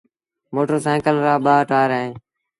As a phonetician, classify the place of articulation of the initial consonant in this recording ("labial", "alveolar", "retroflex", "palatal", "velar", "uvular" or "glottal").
labial